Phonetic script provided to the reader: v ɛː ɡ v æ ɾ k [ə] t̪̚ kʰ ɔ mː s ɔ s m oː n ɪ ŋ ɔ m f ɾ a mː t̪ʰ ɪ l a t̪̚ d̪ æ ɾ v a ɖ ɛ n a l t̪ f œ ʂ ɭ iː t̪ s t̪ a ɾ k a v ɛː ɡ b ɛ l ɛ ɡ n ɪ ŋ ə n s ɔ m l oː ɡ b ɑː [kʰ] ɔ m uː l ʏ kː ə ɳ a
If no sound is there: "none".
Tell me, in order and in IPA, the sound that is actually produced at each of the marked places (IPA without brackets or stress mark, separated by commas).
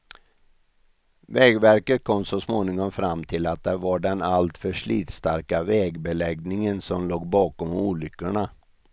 ə, k